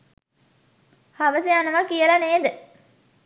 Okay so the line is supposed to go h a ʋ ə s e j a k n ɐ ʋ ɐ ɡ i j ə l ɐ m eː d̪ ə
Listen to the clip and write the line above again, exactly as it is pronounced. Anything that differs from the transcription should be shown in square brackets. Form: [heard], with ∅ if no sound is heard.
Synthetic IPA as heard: h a ʋ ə s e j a [∅] n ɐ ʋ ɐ [k] i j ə l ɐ [n] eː d̪ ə